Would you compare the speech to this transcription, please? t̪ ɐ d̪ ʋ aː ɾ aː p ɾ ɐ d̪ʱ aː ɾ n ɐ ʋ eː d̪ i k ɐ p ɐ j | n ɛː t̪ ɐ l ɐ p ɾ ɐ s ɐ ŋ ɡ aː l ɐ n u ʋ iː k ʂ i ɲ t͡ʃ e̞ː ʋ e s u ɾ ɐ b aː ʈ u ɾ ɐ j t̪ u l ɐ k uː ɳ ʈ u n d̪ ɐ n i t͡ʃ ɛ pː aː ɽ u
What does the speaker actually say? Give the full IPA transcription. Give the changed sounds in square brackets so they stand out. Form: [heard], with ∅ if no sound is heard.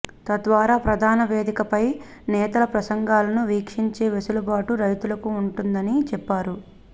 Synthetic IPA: t̪ ɐ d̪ ʋ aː ɾ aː p ɾ ɐ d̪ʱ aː [∅] n ɐ ʋ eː d̪ i k ɐ p ɐ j | n ɛː t̪ ɐ l ɐ p ɾ ɐ s ɐ ŋ ɡ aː l ɐ n u ʋ iː k ʂ i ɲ t͡ʃ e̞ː ʋ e s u [l] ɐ b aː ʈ u ɾ ɐ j t̪ u l ɐ k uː ɳ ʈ u n d̪ ɐ n i t͡ʃ ɛ pː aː [ɾ] u